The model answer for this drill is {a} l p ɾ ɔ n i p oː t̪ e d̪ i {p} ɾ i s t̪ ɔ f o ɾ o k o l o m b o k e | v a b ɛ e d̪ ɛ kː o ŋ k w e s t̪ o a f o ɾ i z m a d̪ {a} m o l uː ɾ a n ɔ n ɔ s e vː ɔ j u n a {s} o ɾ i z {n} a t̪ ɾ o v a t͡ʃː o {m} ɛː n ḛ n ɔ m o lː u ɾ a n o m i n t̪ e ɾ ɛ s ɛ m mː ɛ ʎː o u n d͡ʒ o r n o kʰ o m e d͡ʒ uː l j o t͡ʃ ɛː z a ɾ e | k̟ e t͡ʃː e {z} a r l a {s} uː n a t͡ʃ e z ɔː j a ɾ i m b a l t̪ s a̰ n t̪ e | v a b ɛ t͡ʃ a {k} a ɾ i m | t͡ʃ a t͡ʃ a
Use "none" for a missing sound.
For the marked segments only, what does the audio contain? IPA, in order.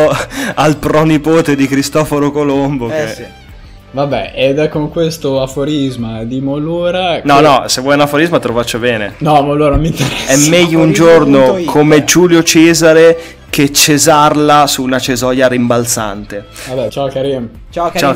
a, k, i, f, m, b, z, s, k

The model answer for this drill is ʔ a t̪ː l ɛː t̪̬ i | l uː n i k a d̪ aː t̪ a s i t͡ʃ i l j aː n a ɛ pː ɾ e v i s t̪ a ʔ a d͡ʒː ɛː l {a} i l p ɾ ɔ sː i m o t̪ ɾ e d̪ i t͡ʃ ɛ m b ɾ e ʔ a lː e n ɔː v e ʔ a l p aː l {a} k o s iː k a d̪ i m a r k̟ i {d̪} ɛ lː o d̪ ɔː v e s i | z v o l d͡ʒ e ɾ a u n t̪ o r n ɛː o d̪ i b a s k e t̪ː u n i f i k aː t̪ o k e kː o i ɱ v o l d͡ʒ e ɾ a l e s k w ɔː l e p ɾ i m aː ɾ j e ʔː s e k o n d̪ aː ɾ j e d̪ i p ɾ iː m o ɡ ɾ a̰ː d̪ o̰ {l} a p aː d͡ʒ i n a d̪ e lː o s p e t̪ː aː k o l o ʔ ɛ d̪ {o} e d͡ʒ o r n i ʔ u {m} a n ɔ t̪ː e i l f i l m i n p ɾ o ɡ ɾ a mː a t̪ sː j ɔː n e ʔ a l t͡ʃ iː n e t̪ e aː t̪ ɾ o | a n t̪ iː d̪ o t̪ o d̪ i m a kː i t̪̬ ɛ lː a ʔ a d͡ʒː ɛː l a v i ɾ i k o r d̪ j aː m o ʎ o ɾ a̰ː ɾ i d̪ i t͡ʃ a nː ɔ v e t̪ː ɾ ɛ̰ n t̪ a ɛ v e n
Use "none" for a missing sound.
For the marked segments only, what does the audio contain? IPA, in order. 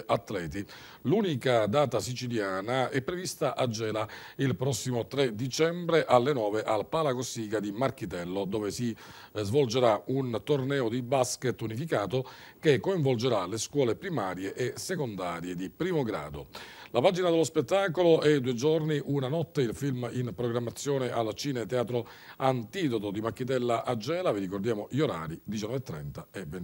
a, a, t̪, l, u, n

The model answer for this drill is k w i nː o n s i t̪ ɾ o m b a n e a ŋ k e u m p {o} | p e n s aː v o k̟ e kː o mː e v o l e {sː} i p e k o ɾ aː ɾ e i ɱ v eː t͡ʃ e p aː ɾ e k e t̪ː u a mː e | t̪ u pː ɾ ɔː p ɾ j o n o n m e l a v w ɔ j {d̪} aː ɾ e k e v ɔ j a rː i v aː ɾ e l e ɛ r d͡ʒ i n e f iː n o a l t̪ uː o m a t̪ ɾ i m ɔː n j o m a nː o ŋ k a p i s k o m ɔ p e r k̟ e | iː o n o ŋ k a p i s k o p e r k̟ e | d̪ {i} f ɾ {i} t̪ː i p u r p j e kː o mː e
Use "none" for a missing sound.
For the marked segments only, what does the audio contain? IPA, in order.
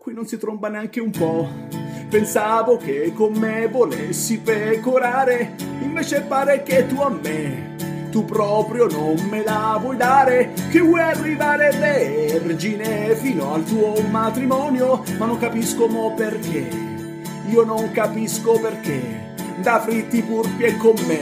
ɔ, sː, d̪, a, i

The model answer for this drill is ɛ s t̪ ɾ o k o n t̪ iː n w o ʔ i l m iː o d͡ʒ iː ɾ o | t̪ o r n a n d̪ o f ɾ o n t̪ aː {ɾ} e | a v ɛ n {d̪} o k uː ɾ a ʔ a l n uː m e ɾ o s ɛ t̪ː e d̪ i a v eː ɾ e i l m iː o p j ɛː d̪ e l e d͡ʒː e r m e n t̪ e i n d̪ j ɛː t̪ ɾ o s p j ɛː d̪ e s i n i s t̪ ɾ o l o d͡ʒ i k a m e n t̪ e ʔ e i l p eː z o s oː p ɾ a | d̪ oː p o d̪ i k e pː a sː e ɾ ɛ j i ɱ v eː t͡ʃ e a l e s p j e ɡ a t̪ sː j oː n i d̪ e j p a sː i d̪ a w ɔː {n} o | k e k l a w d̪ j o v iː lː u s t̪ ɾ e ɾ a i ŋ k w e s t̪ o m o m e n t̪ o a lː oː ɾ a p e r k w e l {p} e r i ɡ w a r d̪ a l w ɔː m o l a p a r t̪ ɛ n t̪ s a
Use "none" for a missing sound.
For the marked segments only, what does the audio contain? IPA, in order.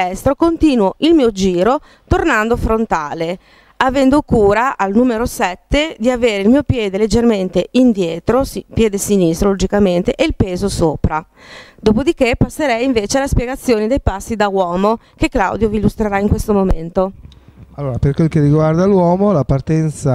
l, d̪, m, k

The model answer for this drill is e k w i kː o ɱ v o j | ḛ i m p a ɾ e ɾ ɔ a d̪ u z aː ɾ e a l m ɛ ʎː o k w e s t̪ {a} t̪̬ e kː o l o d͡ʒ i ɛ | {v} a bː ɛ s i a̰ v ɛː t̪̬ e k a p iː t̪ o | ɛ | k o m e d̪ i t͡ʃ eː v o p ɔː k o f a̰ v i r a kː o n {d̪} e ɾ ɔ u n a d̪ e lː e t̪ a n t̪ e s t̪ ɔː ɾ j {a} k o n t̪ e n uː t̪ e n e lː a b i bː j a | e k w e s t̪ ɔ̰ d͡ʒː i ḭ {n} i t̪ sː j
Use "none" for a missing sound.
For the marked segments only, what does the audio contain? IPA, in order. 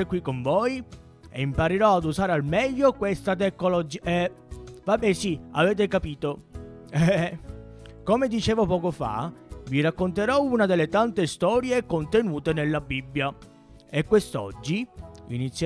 a, v, t̪, e, n

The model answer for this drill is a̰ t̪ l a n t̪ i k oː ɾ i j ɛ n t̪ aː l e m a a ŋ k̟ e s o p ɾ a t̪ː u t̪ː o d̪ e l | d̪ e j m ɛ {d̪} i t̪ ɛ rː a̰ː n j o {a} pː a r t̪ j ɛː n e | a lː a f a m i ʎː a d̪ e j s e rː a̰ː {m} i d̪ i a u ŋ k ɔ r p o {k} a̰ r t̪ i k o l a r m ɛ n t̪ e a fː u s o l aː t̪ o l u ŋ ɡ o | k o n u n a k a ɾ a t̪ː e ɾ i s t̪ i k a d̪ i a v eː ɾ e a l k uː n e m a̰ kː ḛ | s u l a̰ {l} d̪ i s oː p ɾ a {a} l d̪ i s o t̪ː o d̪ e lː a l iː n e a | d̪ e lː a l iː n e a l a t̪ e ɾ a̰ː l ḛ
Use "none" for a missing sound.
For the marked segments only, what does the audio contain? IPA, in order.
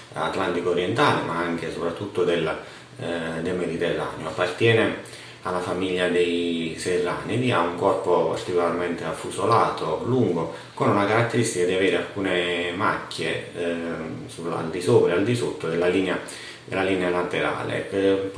d̪, a, n, p, l, a

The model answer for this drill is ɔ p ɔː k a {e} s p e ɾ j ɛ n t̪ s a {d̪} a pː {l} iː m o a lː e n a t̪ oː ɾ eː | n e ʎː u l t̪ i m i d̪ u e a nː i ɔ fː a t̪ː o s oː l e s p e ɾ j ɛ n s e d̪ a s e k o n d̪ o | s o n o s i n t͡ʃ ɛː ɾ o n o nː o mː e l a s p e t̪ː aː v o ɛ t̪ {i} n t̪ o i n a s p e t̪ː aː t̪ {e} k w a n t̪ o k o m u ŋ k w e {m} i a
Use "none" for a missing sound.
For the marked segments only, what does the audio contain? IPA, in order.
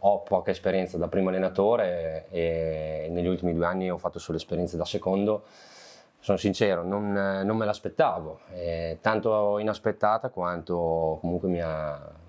e, d̪, ɾ, a, a, m

